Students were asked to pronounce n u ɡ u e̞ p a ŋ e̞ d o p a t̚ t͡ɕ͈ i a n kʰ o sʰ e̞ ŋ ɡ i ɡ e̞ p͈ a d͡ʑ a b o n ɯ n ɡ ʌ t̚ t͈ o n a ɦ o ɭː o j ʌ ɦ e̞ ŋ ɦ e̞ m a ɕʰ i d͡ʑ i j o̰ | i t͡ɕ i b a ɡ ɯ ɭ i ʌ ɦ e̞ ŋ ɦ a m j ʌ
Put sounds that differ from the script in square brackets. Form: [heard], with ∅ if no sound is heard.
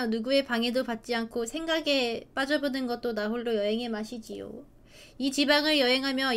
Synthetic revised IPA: n u ɡ u e̞ p a ŋ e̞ d o p a t̚ t͡ɕ͈ i a n kʰ o sʰ e̞ ŋ ɡ [a] ɡ e̞ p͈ a d͡ʑ [ʌ] b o n ɯ n ɡ ʌ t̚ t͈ o n a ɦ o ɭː o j ʌ ɦ e̞ ŋ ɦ e̞ m a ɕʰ i d͡ʑ i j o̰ | i t͡ɕ i b a [ŋ] ɯ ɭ [j] ʌ ɦ e̞ ŋ ɦ a m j ʌ